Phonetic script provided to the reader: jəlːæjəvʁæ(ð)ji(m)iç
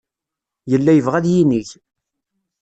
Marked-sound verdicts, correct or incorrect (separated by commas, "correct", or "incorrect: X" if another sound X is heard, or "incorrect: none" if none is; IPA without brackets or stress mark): correct, incorrect: n